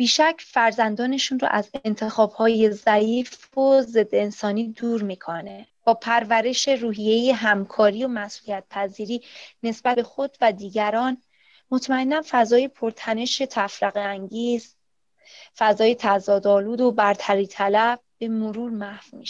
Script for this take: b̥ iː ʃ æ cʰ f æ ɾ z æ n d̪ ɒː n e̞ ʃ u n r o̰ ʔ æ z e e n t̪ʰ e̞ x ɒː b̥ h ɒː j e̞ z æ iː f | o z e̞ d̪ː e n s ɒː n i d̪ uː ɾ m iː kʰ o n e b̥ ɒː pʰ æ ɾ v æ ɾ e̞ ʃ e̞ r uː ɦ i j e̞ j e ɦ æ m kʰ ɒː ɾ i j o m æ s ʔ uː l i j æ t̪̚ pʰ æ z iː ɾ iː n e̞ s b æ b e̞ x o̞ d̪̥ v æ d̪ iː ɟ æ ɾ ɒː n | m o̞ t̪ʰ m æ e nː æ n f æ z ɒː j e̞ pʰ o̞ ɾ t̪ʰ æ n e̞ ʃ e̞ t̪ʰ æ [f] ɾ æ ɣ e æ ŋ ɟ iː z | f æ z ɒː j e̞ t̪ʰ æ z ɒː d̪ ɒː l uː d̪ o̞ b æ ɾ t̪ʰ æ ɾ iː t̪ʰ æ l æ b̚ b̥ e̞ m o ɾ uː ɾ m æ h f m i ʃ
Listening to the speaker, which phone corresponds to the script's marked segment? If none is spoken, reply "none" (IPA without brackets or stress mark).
f